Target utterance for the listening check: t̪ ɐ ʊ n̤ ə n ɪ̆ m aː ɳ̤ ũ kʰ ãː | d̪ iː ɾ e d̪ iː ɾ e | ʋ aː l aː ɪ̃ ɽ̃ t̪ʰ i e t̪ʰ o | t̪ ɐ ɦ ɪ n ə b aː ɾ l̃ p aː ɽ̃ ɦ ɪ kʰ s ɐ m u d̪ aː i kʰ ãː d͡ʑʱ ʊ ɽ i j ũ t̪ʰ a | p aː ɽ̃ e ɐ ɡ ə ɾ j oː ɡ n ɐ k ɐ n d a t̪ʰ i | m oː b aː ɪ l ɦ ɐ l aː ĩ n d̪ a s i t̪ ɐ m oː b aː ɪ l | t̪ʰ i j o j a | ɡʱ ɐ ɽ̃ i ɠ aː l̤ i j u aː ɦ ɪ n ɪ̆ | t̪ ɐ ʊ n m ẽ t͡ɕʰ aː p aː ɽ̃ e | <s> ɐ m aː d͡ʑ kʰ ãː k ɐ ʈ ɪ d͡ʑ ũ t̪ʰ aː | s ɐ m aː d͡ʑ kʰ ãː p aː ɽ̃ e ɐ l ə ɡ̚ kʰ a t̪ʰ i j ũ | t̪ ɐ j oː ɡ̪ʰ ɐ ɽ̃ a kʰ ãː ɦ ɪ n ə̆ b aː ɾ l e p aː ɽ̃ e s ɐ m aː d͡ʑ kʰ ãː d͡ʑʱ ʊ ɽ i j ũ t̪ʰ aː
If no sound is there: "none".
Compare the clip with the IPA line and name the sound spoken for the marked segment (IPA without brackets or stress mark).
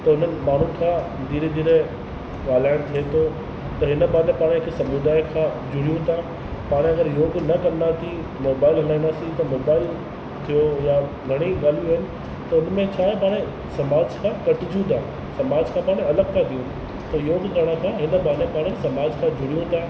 s